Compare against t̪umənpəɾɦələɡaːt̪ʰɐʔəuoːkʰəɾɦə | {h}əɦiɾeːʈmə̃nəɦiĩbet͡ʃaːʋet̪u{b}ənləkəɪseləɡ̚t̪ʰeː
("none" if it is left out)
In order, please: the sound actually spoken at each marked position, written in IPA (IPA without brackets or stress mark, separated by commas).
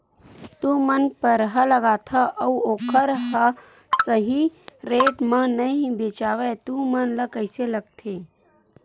s, m